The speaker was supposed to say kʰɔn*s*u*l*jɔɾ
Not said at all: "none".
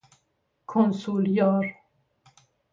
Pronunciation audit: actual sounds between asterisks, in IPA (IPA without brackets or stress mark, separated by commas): s, l